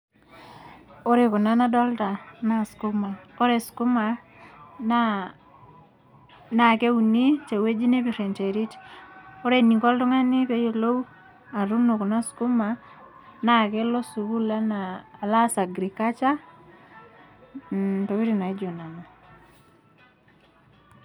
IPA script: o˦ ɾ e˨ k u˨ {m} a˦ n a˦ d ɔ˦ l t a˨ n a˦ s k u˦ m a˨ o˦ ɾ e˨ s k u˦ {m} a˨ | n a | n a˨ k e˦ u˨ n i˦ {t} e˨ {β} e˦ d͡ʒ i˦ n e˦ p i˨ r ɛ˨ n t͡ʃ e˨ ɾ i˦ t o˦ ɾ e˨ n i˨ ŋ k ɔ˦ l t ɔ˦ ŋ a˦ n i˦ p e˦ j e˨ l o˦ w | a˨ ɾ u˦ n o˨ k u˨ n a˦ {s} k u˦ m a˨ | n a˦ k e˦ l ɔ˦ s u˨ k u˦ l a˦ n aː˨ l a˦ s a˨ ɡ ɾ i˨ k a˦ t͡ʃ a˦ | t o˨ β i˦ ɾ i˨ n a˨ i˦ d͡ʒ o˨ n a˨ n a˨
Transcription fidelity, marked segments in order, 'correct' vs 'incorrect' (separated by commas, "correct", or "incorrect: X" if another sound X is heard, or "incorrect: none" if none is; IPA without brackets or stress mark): incorrect: n, correct, incorrect: t͡ʃ, incorrect: w, correct